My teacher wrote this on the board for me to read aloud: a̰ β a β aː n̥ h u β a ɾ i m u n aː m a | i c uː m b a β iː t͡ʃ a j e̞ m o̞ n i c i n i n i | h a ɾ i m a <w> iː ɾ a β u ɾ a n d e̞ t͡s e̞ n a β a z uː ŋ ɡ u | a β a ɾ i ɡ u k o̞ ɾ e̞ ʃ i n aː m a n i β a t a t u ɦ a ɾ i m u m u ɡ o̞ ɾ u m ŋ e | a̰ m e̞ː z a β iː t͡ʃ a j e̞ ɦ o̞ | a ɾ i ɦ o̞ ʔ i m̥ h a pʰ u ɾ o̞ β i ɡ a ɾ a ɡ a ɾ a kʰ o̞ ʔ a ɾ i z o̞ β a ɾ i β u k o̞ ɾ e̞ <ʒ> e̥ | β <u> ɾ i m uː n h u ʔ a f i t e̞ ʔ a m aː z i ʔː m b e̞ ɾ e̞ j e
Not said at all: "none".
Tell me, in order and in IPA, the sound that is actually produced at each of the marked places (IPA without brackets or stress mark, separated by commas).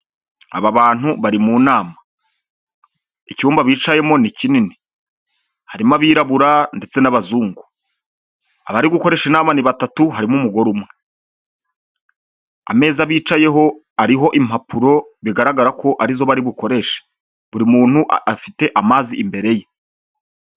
β, ʃ, u